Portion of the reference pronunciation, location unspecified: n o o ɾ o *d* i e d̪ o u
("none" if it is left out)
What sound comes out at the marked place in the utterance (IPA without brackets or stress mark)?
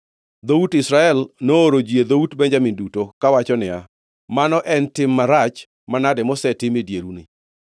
d͡ʒ